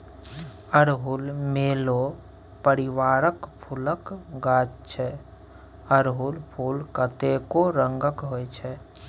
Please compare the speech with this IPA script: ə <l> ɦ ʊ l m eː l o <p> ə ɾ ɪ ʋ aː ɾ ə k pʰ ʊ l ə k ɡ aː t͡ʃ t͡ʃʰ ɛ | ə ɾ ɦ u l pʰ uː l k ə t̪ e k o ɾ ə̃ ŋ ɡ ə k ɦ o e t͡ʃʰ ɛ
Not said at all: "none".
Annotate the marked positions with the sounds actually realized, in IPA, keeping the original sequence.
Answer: ɾ, p

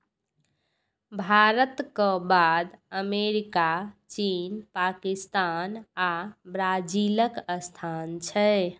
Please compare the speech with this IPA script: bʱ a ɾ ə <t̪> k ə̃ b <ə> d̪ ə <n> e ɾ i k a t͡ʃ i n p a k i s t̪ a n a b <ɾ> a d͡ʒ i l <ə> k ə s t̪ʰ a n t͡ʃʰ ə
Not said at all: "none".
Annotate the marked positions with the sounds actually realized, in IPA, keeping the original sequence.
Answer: t̪, a, m, ɾ, ə

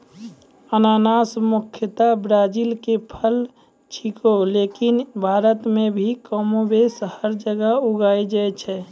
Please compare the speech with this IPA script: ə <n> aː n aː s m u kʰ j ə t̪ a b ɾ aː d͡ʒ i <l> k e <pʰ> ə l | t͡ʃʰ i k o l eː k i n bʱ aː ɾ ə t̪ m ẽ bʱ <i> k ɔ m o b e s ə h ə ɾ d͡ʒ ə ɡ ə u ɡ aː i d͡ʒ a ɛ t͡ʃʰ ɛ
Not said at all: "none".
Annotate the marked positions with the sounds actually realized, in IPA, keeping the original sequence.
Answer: n, l, pʰ, i

